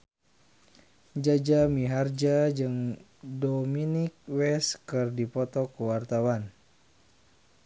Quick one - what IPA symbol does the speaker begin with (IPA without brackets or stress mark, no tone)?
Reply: d͡ʒ